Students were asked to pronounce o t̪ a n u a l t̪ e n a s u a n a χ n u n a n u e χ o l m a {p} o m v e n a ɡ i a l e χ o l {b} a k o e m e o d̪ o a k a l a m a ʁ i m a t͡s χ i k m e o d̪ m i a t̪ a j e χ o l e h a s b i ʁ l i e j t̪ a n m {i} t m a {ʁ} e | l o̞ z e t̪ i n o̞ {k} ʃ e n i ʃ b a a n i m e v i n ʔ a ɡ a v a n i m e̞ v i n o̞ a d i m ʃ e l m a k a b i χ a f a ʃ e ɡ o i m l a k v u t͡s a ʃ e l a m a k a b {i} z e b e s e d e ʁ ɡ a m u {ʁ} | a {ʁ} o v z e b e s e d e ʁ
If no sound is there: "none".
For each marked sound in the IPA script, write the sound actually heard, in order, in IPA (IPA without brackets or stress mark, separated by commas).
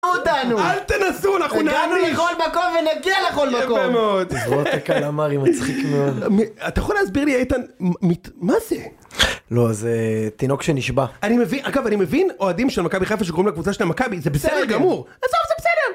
k, m, i, z, k, i, ʁ, z